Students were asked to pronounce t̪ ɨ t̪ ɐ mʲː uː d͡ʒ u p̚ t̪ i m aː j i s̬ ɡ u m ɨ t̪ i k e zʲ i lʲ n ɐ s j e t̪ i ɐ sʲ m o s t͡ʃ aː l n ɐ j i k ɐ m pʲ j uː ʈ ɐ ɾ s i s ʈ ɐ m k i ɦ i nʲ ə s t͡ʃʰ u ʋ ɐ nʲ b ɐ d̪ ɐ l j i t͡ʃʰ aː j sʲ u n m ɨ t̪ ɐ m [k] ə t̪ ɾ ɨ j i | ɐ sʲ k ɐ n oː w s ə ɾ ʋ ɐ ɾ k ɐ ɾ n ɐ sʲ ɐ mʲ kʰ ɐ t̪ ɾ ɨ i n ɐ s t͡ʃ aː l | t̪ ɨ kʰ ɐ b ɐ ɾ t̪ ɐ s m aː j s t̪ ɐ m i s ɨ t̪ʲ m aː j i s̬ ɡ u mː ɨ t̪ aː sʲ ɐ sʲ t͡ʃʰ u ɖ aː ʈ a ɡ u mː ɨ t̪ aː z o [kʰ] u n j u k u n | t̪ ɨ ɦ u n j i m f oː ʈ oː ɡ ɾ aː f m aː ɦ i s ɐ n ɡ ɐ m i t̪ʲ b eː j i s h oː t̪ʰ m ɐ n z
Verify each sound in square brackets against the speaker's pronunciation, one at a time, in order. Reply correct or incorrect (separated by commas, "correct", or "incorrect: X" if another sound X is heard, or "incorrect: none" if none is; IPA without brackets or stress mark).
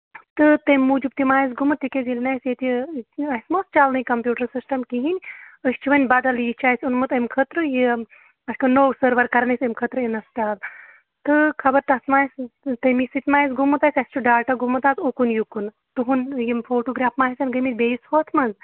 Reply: incorrect: kʰ, incorrect: k